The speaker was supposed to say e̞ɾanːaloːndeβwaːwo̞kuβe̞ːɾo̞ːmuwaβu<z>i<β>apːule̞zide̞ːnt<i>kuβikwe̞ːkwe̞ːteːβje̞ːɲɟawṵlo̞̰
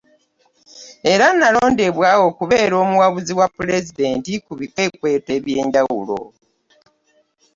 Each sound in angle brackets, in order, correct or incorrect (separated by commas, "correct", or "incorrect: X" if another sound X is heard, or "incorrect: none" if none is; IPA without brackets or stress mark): correct, incorrect: w, correct